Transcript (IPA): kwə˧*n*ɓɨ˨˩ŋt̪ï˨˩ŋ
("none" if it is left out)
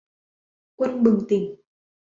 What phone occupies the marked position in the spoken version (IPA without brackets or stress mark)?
n